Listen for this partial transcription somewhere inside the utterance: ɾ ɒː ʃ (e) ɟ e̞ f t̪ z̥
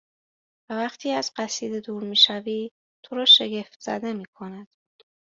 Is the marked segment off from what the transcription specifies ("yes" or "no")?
no